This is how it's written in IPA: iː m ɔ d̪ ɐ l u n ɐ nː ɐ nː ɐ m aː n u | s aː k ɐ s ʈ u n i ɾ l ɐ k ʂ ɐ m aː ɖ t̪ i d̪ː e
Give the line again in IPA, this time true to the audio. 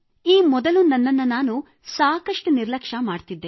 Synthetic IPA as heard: iː m ɔ d̪ ɐ l u n ɐ nː ɐ nː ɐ n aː n u | s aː k ɐ ʂ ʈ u n i ɾ l ɐ k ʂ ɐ m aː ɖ t̪ i d̪ː e